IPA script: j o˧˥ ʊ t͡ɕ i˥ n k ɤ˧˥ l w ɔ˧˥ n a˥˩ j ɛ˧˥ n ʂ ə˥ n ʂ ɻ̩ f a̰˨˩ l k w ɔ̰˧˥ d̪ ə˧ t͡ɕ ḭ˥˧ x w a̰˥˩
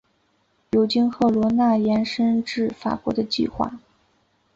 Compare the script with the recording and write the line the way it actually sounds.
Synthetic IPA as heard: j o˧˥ ʊ t͡ɕ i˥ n x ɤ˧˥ l w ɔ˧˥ n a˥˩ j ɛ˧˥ n ʂ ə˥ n ʈ͡ʂ ɻ̩ f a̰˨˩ k w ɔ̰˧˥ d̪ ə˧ t͡ɕ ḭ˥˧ x w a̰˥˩

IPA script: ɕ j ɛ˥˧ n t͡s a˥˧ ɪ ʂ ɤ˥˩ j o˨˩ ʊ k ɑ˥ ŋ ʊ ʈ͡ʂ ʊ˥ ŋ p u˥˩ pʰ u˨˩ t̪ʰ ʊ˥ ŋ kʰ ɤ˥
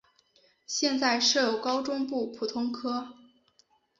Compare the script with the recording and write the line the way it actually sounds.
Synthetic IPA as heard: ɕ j ɛ˥˧ n t͡s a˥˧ ɪ ʂ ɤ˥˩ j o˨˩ ʊ k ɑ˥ ʊ ʈ͡ʂ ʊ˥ ŋ p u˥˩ pʰ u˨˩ t̪ʰ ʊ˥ ŋ kʰ ɤ˥

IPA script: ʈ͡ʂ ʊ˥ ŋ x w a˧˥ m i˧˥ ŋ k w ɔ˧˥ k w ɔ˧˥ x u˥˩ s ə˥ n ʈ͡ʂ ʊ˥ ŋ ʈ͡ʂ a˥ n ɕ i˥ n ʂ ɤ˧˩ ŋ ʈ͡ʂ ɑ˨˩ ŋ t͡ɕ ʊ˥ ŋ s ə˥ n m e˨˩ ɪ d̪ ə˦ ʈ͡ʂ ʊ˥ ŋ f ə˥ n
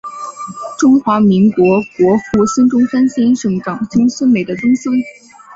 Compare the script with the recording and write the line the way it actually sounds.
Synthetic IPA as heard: ʈ͡ʂ ʊ˥ ŋ x w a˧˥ m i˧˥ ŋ k w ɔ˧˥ k w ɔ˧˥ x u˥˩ s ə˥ n ʈ͡ʂ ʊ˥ ŋ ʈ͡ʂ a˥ n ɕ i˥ n ʂ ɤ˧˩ ŋ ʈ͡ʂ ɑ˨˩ ŋ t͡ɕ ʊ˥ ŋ s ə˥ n m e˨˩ ɪ d̪ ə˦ ʈ͡ʂ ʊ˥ ŋ s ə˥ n

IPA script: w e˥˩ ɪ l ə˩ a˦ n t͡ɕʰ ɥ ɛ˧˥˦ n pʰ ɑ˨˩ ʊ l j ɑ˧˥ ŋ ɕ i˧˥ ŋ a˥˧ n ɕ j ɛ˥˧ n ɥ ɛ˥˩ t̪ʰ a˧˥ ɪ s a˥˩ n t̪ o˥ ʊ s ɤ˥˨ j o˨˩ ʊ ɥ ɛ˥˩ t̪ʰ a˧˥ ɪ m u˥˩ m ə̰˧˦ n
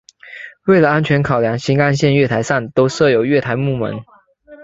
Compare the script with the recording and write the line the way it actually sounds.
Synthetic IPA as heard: w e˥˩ ɪ l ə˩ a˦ n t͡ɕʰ ɥ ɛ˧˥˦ n kʰ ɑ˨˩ ʊ l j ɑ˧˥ ŋ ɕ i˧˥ ŋ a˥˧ n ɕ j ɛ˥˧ n ɥ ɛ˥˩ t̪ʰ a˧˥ ɪ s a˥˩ n t̪ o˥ ʊ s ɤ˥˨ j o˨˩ ʊ ɥ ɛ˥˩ t̪ʰ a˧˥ ɪ m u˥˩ m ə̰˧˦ n

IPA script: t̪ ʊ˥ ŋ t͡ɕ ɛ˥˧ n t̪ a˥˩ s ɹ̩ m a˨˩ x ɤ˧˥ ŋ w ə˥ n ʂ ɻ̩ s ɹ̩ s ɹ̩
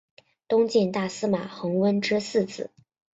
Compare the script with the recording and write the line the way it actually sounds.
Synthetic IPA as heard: t̪ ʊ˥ ŋ t͡ɕ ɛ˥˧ n t̪ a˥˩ s ɹ̩ m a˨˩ x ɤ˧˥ ŋ w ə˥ n ʈ͡ʂ ɻ̩ s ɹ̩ t͡s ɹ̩

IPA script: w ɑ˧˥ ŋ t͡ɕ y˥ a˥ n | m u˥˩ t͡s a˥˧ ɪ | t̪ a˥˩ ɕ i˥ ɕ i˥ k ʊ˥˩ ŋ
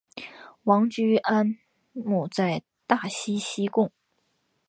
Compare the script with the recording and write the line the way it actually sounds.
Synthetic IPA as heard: w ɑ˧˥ ŋ t͡ɕ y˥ a˥ n | m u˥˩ t͡s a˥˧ ɪ | t̪ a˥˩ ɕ i˥ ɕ i˥ k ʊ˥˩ ŋ

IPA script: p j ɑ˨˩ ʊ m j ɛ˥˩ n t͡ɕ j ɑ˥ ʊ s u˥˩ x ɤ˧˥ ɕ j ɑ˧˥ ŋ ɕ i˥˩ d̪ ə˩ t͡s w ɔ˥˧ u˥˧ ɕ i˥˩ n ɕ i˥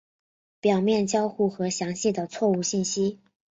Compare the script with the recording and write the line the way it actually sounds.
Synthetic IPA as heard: p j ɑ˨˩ ʊ m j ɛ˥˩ n t͡ɕ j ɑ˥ ʊ x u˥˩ x ɤ˧˥ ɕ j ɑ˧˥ ŋ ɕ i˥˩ d̪ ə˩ t͡sʰ w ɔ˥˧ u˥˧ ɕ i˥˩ n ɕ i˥

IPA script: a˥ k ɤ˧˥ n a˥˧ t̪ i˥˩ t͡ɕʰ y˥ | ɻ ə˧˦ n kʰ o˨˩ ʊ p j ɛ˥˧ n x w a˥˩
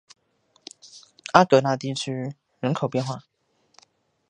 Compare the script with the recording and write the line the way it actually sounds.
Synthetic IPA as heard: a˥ k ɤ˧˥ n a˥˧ t̪ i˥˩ t͡ɕʰ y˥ | ɻ ə˧˦ n kʰ o˨˩ ʊ p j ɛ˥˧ n x w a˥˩

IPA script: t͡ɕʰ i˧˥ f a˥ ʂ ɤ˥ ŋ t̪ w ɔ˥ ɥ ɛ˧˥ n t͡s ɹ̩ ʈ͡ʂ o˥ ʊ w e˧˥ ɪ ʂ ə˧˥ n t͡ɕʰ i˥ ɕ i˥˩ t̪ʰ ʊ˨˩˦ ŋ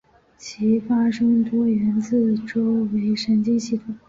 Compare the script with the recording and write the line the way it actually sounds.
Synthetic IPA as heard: t͡ɕʰ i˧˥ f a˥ ʂ ɤ˥ ŋ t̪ w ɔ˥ ɥ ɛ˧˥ n t͡s ɹ̩ ʈ͡ʂ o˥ ʊ w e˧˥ ɪ ʂ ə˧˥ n t͡ɕ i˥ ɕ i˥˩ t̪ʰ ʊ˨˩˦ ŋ

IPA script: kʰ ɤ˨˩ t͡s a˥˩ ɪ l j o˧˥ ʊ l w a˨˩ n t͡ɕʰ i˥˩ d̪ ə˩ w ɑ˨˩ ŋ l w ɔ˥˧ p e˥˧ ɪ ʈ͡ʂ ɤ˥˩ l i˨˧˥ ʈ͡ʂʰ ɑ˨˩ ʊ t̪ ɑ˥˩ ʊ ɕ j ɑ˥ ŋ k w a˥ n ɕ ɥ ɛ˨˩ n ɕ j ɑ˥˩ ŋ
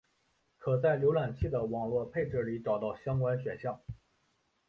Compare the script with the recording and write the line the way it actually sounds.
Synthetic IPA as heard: kʰ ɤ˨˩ t͡s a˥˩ ɪ l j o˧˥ ʊ l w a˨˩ n t͡ɕʰ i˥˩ d̪ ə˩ w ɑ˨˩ ŋ l w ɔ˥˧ pʰ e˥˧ ɪ ʈ͡ʂ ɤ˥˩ l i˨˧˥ ʈ͡ʂ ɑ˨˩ ʊ t̪ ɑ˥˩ ʊ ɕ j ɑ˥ ŋ k w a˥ n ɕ ɥ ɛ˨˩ n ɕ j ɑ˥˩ ŋ

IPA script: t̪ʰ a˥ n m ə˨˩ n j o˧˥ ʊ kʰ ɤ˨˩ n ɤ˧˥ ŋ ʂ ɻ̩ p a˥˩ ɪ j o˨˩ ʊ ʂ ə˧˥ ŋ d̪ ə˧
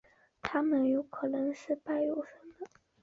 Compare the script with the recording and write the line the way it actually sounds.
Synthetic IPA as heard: t̪ʰ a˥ m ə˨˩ n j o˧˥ ʊ kʰ ɤ˨˩ n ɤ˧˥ ŋ ʂ ɻ̩ p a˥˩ ɪ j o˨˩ ʊ ʂ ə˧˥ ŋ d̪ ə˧

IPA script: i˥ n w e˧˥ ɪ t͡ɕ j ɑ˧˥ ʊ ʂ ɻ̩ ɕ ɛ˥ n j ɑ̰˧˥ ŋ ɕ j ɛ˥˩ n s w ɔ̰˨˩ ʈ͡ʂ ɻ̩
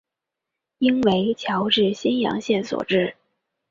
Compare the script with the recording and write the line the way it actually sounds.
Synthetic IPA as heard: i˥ n w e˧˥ ɪ t͡ɕʰ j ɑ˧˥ ʊ ʈ͡ʂ ɻ̩ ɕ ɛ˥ n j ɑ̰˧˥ ŋ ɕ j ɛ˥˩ n s w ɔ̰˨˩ ʈ͡ʂ ɻ̩

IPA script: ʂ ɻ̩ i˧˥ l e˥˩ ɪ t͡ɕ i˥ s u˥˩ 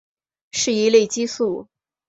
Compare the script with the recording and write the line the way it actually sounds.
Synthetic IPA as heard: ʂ ɻ̩ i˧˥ l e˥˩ ɪ t͡ɕ i˥ s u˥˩

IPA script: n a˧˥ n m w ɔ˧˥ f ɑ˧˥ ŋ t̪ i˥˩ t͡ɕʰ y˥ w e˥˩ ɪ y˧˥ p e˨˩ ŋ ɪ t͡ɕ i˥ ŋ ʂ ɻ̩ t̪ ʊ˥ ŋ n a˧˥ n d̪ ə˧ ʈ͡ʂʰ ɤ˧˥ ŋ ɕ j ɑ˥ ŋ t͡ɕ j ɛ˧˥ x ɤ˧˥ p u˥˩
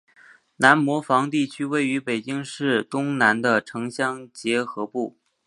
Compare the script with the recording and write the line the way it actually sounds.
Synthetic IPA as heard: n a˧˥ n m w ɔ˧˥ f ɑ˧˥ ŋ t̪ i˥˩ t͡ɕʰ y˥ w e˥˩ ɪ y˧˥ p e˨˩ ɪ t͡ɕ i˥ ŋ ʂ ɻ̩ t̪ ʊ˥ ŋ n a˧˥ n d̪ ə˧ ʈ͡ʂʰ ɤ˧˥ ŋ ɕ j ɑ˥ ŋ t͡ɕ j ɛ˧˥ x ɤ˧˥ p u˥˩

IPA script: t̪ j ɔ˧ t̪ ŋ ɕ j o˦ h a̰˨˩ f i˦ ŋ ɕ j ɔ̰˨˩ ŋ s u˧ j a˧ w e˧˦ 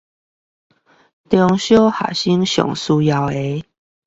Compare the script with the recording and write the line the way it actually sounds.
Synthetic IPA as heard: t̪ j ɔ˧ ŋ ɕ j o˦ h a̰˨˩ ɕ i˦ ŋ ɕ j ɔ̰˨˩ ŋ s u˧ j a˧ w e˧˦

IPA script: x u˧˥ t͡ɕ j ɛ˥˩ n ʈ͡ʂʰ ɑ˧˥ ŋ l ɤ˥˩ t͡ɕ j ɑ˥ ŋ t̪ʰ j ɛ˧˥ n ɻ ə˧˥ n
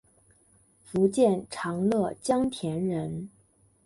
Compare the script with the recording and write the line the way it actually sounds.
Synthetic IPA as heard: f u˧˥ t͡ɕ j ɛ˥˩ n ʈ͡ʂʰ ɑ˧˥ ŋ l ɤ˥˩ t͡ɕ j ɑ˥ ŋ t̪ʰ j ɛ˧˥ n ɻ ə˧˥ n

